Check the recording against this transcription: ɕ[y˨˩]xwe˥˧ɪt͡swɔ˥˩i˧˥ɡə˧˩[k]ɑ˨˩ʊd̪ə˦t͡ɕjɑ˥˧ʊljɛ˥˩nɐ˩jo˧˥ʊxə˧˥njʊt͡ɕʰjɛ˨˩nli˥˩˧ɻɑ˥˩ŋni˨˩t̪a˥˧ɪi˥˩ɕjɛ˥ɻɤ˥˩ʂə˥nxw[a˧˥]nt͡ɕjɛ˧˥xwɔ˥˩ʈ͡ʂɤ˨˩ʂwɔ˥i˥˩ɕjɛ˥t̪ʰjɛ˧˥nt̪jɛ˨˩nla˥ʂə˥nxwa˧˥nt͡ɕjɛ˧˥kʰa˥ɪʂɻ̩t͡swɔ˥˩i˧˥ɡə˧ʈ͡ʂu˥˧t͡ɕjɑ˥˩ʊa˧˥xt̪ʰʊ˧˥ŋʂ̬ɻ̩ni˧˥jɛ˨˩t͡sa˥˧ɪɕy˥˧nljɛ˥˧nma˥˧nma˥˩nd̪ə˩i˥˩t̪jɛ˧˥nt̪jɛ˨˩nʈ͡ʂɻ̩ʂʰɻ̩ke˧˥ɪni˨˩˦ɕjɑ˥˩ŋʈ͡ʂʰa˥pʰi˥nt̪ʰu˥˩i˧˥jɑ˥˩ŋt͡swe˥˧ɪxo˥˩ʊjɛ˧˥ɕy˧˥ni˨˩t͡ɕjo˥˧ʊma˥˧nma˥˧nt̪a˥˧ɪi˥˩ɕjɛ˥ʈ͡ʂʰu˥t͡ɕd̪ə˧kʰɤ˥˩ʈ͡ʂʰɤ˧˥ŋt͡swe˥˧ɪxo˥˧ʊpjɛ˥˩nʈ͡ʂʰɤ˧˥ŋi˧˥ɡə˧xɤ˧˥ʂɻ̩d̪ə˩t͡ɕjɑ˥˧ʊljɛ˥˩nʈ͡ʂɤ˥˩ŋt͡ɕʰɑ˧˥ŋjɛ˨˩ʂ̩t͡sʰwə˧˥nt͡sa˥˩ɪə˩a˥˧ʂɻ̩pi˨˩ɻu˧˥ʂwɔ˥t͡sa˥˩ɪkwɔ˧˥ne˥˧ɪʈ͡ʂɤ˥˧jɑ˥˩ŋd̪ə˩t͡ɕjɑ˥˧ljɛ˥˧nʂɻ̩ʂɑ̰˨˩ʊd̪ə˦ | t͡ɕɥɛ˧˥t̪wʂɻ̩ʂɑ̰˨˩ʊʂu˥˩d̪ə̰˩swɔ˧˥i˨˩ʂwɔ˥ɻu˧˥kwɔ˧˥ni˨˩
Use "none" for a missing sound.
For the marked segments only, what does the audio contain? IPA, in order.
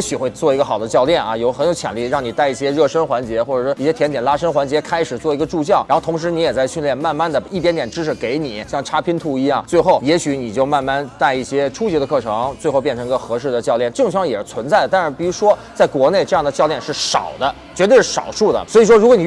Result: y˨˩, x, a˧˥

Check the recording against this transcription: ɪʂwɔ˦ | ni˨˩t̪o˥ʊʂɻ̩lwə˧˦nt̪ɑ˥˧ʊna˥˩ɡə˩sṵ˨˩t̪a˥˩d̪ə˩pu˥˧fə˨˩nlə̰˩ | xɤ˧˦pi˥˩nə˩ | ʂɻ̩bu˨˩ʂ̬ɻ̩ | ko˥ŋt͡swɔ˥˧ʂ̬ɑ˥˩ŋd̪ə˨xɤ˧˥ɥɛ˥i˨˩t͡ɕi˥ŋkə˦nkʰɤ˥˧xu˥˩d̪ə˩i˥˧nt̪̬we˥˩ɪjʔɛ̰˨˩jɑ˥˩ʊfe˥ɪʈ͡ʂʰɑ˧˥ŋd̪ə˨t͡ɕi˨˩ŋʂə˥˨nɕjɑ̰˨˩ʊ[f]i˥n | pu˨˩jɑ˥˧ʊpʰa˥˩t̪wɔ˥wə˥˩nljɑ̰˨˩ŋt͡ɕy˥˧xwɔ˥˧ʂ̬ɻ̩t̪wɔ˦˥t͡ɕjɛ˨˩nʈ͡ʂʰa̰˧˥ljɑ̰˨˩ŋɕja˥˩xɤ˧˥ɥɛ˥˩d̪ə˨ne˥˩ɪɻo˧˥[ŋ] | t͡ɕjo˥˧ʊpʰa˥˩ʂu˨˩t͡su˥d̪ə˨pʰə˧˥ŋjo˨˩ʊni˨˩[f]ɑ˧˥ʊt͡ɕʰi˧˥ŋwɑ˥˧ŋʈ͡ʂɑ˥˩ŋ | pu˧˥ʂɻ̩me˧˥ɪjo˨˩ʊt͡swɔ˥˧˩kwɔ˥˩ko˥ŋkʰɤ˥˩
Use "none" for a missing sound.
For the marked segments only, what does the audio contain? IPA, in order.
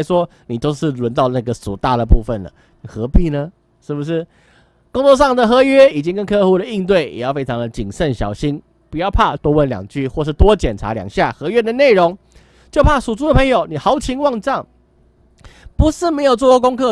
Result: ɕ, ŋ, x

